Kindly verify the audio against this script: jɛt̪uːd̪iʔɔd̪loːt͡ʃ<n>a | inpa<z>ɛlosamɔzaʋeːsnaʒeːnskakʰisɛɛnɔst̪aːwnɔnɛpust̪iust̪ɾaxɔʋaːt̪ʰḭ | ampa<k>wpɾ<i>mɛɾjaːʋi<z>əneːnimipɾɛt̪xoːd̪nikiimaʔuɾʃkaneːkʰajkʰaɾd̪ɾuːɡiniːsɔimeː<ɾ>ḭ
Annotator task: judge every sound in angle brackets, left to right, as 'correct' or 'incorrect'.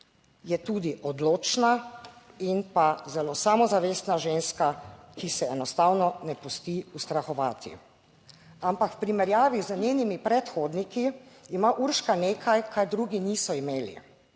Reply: correct, correct, correct, correct, correct, incorrect

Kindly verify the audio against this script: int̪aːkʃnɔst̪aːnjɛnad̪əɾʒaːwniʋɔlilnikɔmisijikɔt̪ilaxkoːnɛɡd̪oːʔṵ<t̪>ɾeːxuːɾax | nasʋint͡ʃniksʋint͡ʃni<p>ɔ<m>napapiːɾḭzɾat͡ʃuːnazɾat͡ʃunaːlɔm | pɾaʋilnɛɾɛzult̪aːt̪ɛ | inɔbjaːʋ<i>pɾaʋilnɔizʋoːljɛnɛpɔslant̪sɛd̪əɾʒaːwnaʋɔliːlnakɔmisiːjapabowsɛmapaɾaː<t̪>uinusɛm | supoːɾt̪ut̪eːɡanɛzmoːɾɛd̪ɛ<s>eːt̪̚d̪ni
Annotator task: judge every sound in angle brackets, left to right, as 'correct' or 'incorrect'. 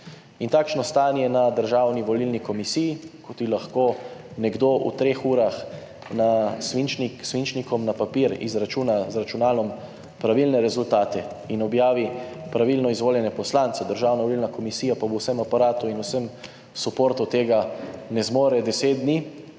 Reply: correct, incorrect, correct, correct, correct, correct

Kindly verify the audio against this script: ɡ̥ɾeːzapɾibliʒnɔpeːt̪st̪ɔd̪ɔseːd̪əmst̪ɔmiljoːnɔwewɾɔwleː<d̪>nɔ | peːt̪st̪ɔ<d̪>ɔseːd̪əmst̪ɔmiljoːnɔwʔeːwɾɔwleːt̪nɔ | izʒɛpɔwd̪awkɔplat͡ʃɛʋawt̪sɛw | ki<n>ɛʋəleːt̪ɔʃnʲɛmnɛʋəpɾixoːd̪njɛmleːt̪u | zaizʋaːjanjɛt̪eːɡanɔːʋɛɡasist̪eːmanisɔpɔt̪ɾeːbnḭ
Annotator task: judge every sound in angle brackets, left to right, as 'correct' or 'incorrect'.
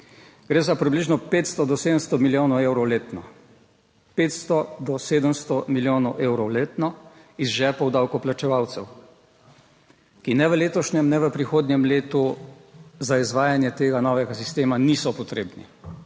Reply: incorrect, correct, correct

